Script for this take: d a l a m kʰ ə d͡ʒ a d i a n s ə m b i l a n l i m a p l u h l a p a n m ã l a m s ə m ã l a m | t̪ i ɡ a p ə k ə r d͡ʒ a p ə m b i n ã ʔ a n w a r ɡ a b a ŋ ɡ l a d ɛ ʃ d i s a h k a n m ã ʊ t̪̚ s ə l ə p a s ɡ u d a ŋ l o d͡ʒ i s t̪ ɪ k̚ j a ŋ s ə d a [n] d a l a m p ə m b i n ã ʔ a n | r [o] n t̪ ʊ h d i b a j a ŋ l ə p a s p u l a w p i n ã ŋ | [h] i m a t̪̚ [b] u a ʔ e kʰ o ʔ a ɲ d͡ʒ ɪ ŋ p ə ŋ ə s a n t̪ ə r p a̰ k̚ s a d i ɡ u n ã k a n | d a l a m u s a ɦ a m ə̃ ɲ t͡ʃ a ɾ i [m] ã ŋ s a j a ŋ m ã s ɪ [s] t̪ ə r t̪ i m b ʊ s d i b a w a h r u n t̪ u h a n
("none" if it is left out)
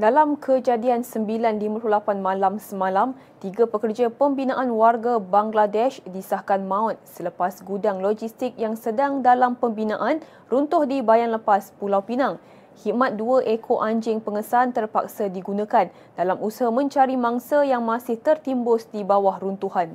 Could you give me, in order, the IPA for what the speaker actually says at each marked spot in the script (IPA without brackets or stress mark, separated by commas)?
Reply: ŋ, u, h, d, m, h